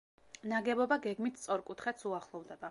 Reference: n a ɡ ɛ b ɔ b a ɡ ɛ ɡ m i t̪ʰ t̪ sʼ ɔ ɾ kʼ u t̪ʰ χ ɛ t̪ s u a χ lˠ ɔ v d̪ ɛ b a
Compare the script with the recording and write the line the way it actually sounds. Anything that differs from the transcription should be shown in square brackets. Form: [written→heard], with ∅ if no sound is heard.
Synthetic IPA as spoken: n a ɡ ɛ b ɔ b a ɡ ɛ ɡ m i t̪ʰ t̪ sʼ ɔ ɾ kʼ u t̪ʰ χ ɛ t̪ s u a χ lˠ ɔ v d̪ ɛ b a